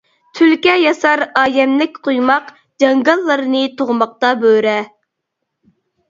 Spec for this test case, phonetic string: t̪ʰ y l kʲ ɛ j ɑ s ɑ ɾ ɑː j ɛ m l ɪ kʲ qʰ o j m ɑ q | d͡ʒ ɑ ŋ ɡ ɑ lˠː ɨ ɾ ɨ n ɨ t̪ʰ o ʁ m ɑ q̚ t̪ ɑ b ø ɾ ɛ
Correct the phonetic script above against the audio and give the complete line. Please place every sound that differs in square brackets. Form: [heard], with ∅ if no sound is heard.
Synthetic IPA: t̪ʰ y l kʲ ɛ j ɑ s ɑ ɾ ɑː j ɛ m l ɪ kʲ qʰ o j m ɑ q | d͡ʒ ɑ ŋ ɡ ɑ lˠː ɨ ɾ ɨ n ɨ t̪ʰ o ʁ m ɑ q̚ t̪ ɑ b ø ɾ ɛ